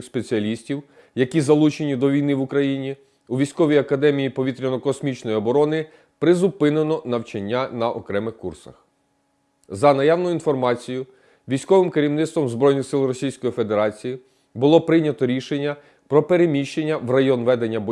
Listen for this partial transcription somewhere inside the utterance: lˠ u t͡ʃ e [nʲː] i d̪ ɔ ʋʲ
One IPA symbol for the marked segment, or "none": nʲ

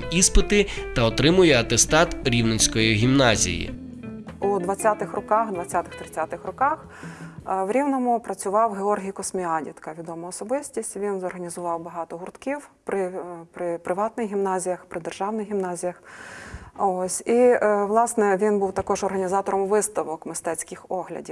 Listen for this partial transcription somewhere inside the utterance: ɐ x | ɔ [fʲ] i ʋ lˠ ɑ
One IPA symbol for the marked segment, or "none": sʲ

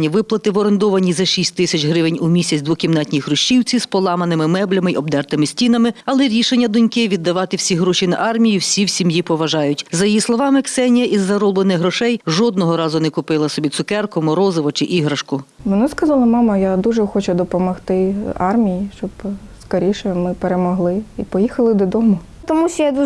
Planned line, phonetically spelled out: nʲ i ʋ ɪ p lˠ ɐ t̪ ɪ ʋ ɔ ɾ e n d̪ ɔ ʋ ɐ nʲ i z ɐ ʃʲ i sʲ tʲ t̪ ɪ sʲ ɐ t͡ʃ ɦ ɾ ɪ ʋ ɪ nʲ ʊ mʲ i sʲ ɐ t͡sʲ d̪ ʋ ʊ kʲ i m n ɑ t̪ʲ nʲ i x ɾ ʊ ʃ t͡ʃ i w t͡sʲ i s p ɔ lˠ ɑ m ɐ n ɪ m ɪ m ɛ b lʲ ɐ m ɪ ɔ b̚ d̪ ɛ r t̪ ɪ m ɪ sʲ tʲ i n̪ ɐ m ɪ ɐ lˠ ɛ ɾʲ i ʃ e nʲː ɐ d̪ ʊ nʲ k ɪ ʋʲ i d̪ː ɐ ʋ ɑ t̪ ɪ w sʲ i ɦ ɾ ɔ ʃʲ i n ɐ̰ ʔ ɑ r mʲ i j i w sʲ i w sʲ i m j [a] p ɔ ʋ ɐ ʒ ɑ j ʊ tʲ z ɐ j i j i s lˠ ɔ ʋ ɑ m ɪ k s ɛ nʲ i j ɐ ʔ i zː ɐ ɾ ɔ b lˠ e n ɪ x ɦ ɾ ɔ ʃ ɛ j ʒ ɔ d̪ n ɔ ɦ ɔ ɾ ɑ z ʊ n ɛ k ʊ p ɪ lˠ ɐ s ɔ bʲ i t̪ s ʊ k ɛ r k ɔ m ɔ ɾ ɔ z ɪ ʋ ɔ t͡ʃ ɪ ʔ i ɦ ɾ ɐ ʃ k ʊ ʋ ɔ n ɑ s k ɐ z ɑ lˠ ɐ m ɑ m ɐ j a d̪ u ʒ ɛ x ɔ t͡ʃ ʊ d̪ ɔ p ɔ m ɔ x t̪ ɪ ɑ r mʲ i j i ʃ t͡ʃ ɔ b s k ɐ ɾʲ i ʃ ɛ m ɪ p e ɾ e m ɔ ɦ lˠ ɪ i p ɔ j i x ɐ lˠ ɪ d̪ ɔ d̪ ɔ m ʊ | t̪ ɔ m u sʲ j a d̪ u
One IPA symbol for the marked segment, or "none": i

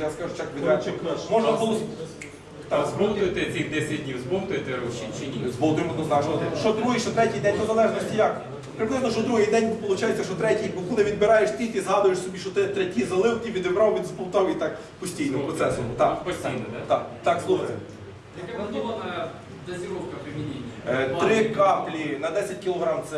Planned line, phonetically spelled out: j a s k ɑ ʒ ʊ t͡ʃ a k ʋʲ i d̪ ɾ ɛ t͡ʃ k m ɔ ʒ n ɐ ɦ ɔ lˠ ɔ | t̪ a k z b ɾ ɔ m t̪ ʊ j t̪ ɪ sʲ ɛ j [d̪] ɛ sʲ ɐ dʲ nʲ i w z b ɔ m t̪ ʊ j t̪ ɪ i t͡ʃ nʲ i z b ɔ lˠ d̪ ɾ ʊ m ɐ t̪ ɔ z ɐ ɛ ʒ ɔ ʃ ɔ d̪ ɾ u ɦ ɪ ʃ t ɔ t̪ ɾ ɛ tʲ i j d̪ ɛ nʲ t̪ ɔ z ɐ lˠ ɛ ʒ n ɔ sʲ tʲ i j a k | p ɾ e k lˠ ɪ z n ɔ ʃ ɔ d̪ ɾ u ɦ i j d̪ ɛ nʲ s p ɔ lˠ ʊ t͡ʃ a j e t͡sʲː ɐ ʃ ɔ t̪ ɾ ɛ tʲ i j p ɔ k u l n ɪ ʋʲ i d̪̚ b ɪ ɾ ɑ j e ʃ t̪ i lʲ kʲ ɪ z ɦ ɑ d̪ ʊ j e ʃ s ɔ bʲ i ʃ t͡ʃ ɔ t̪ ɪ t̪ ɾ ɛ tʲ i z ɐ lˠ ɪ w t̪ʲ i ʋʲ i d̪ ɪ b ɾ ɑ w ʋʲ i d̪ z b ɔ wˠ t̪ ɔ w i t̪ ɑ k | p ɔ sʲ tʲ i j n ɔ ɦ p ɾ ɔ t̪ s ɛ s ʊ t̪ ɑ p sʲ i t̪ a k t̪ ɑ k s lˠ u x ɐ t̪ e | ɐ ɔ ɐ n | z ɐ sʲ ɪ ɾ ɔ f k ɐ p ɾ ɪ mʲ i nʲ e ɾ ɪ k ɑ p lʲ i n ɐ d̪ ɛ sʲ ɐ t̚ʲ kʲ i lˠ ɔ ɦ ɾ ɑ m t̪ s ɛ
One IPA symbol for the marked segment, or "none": d̪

